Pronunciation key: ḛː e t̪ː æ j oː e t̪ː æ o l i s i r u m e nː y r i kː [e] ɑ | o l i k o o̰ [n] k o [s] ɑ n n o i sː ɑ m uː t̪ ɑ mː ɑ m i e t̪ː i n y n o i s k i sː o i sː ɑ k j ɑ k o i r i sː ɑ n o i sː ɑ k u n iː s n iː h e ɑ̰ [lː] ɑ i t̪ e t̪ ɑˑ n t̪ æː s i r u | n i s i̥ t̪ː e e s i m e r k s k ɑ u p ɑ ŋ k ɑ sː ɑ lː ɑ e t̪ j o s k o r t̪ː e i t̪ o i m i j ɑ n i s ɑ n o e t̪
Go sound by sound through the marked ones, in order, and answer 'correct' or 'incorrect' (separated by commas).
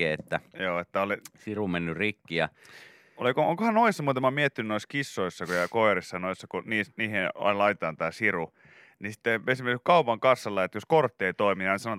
incorrect, incorrect, incorrect, incorrect